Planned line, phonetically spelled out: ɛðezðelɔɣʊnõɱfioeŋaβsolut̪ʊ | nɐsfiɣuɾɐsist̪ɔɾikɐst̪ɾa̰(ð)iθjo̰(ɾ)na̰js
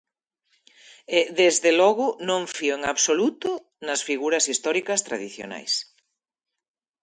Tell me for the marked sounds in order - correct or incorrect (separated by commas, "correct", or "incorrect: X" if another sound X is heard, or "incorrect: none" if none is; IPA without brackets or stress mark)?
correct, incorrect: none